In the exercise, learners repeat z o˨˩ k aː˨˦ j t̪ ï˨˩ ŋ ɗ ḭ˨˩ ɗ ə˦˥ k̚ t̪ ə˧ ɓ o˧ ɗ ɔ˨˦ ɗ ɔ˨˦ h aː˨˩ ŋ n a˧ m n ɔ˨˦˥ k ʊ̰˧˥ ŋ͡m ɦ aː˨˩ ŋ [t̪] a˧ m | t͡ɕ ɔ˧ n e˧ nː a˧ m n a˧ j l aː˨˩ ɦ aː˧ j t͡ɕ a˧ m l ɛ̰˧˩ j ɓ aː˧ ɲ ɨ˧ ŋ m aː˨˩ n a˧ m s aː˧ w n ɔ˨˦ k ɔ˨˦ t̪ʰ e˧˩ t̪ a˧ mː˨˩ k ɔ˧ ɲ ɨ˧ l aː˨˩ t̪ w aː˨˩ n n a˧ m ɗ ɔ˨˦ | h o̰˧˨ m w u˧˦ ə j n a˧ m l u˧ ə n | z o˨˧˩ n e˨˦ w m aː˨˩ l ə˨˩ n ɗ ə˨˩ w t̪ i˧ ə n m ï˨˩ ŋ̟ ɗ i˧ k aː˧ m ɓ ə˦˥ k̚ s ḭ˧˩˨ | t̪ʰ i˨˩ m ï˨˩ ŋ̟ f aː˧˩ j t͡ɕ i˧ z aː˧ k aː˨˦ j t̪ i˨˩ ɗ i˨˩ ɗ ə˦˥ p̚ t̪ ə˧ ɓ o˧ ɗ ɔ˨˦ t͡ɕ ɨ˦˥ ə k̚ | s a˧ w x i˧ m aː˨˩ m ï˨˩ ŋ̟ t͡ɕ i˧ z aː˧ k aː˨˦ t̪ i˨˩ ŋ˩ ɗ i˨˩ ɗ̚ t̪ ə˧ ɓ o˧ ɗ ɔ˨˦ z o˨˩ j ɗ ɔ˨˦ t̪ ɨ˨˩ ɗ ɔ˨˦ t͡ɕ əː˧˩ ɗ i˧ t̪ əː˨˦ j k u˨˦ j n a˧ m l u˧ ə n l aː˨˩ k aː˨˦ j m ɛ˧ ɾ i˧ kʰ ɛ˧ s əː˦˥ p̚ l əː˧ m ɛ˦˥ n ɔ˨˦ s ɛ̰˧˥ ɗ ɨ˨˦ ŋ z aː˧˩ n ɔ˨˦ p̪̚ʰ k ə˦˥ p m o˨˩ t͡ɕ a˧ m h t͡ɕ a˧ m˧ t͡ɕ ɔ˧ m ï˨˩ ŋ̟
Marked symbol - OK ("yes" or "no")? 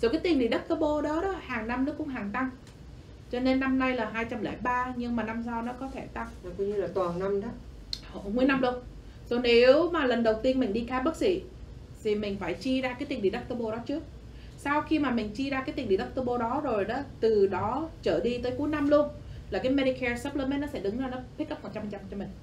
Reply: yes